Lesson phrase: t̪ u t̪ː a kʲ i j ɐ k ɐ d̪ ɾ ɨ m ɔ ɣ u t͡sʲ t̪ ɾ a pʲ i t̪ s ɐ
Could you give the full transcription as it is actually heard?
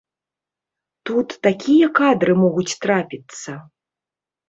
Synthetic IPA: t̪ u t̪ː a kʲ i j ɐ k a d̪ ɾ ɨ m ɔ ɣ u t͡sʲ t̪ ɾ a pʲ i t̪ s ɐ